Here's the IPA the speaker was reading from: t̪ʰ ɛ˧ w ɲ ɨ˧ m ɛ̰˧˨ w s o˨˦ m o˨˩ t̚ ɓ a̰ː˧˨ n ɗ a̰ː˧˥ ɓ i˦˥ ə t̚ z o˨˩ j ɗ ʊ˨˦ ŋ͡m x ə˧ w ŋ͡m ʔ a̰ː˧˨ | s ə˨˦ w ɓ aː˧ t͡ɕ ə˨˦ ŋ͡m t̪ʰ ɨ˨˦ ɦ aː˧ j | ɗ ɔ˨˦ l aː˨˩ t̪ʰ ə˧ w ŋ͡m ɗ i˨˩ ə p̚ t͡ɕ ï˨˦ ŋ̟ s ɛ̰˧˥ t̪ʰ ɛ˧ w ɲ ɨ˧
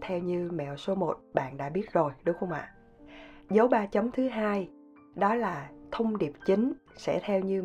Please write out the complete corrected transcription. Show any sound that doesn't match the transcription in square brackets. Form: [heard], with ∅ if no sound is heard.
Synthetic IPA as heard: t̪ʰ ɛ˧ w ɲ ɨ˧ m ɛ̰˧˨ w s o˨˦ m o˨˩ t̚ ɓ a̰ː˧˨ n ɗ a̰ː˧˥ ɓ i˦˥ ə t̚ z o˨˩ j ɗ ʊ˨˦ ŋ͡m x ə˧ w ŋ͡m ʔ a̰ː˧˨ | [z] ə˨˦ w ɓ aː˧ t͡ɕ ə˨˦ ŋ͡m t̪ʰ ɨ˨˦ ɦ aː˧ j | ɗ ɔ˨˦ l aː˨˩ t̪ʰ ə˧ w ŋ͡m ɗ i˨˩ ə p̚ t͡ɕ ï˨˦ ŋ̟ s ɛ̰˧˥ t̪ʰ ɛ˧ w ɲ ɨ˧